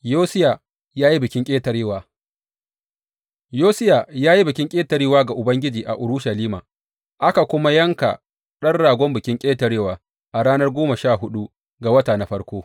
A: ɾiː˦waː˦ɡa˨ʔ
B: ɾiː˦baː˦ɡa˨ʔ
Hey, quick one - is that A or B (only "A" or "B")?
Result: A